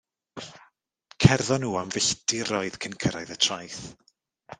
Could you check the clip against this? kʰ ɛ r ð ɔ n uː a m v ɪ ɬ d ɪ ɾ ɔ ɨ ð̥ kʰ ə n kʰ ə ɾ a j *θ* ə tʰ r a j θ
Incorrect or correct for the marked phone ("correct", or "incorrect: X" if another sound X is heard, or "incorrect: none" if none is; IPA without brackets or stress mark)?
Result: incorrect: ð